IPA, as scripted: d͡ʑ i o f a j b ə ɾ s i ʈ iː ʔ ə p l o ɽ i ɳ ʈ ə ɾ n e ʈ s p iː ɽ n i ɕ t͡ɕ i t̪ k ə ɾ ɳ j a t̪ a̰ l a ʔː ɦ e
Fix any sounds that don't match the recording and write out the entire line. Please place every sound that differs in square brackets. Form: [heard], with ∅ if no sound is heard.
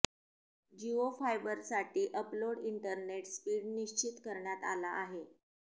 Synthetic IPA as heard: d͡ʑ i o f a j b ə ɾ s [a] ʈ iː ʔ ə p l o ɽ i ɳ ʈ ə ɾ n e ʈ s p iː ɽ n i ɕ t͡ɕ i t̪ k ə ɾ ɳ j a t̪ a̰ l a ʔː ɦ e